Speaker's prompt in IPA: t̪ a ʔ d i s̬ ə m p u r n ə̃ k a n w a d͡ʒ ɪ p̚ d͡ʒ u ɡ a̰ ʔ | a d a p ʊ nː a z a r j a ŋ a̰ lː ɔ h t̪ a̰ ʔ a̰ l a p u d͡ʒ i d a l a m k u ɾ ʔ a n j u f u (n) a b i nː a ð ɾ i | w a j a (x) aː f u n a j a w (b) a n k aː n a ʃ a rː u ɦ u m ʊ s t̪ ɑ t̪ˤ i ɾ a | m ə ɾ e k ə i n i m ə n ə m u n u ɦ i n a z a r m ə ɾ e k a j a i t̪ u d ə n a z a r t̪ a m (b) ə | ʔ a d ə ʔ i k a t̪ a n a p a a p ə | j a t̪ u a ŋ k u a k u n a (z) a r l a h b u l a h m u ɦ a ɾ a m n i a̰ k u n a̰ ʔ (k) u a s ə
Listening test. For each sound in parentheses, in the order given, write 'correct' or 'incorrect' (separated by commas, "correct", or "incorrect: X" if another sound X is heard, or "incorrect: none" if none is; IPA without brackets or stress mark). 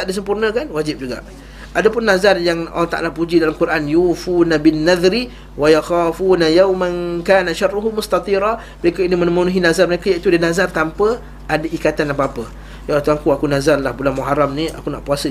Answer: correct, correct, incorrect: m, incorrect: p, correct, incorrect: p